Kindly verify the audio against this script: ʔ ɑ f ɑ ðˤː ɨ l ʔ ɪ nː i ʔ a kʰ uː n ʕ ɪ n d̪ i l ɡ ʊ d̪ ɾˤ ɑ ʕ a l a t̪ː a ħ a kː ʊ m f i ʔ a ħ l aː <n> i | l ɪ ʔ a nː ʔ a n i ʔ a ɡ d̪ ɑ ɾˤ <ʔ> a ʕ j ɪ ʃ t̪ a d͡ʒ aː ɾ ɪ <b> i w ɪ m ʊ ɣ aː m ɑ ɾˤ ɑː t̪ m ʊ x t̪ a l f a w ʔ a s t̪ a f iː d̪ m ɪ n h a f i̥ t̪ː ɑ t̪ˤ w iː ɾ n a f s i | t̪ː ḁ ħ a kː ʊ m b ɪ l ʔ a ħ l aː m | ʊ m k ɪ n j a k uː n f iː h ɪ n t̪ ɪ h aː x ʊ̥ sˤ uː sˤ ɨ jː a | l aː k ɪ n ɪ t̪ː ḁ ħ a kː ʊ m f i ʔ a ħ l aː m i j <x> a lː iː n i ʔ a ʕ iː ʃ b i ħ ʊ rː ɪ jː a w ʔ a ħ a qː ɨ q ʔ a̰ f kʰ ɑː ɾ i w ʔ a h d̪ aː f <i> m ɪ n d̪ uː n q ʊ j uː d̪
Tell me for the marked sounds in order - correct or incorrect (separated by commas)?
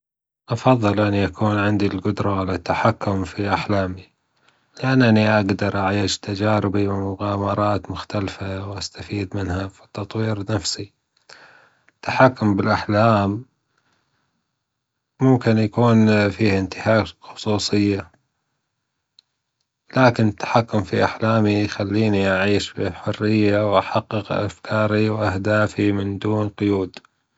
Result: incorrect, correct, correct, correct, correct